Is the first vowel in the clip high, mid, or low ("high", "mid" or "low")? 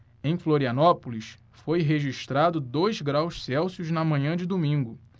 mid